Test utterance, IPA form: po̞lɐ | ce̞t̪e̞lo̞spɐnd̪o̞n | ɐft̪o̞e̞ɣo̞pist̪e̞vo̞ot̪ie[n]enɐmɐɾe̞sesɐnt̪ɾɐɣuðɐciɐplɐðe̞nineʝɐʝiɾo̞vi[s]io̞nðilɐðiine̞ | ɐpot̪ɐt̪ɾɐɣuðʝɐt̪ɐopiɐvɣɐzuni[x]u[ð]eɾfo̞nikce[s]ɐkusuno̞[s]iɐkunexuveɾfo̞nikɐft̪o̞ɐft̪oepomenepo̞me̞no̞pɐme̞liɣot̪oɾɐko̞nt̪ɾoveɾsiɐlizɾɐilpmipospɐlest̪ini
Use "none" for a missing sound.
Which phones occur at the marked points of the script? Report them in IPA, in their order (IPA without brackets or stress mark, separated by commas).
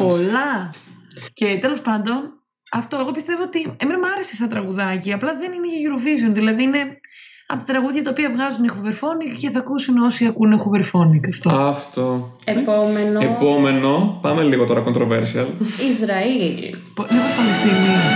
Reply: m, z, x, v, θ, s